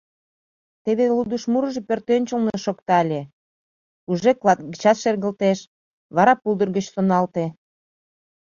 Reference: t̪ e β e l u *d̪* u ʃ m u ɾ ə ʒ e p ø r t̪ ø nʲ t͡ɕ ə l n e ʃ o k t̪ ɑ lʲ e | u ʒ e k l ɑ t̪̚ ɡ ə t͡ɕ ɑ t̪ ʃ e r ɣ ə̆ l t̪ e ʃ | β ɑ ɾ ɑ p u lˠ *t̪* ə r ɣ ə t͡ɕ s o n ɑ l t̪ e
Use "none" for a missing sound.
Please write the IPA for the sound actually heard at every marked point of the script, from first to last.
d̪, d̪

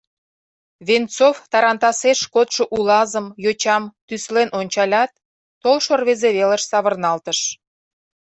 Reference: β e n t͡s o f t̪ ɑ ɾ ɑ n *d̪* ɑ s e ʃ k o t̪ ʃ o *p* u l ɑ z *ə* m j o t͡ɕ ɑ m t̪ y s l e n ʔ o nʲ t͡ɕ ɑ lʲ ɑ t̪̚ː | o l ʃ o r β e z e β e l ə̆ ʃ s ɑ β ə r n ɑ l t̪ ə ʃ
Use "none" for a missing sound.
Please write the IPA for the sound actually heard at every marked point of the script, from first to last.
t̪, ʔ, ə

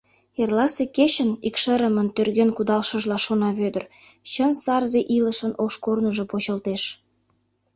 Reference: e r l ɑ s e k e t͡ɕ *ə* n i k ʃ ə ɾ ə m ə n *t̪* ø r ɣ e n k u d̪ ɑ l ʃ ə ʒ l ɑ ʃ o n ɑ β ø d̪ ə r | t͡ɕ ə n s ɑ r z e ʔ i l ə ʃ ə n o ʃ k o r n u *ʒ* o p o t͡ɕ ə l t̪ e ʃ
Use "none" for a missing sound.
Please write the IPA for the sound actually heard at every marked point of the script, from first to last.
ə, t̪, ʒ

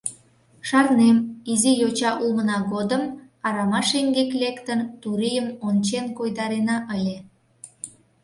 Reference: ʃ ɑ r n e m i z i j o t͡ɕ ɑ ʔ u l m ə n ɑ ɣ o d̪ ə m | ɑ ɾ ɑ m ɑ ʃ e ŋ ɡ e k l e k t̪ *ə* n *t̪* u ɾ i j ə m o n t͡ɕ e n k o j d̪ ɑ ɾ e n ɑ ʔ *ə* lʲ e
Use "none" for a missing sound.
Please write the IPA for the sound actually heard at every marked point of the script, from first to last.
ə, t̪, ə

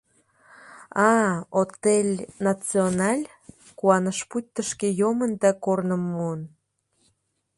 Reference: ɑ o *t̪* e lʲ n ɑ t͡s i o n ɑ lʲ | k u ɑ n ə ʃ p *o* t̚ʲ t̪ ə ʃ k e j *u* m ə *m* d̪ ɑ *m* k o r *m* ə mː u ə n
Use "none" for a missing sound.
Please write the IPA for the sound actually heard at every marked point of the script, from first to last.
t̪, u, o, n, none, n

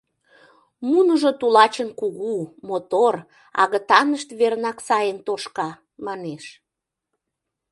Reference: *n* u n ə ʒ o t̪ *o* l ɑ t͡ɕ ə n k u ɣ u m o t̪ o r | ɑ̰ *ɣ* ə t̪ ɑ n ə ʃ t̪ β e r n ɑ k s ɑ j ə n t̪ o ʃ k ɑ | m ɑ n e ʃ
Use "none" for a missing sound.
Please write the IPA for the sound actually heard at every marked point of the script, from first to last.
m, u, ɣ

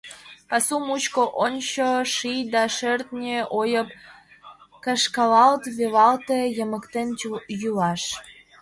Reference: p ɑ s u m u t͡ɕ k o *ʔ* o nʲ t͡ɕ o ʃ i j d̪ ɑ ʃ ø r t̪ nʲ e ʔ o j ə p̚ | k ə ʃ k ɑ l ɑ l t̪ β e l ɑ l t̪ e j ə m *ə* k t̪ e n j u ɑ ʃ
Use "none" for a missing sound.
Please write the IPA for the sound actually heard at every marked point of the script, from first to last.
ʔ, ə

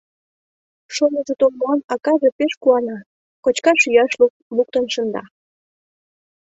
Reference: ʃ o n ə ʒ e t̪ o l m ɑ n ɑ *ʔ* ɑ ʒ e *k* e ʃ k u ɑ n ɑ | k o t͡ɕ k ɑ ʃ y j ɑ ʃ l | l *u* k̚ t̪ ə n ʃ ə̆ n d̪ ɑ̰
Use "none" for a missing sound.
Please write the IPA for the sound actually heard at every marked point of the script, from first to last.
k, p, u

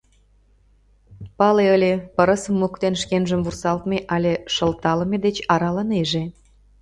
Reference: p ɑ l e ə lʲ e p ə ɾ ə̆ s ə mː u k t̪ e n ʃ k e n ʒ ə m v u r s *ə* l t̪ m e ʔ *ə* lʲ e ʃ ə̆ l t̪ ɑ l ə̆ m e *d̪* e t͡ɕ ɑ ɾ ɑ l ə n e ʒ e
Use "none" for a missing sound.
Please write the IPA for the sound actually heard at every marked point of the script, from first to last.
ɑ, ɑ, d̪

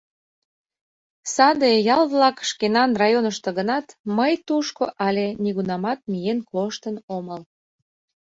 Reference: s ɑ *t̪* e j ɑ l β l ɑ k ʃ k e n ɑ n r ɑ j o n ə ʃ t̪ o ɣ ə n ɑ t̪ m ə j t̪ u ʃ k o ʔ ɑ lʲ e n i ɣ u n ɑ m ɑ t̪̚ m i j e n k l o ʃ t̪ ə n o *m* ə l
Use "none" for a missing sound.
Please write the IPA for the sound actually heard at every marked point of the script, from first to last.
d̪, m

